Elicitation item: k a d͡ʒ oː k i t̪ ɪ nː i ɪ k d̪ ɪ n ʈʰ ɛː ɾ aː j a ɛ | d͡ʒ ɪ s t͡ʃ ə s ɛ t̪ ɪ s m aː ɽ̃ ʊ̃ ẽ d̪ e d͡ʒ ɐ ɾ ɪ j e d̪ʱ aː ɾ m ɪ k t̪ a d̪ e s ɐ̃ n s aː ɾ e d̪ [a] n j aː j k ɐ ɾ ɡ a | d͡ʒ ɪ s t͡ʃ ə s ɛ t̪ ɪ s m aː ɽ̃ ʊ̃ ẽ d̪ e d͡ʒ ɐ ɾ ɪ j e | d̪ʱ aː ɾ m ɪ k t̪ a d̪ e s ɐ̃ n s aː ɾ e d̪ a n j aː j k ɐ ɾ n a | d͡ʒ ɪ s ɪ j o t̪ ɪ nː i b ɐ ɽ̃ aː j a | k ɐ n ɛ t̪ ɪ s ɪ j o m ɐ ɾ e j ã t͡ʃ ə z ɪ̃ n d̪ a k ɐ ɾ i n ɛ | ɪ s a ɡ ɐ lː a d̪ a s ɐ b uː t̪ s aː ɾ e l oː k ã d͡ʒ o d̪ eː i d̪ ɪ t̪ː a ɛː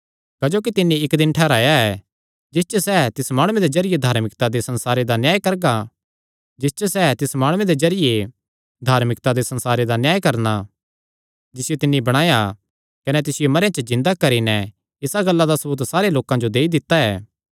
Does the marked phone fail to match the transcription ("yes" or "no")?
no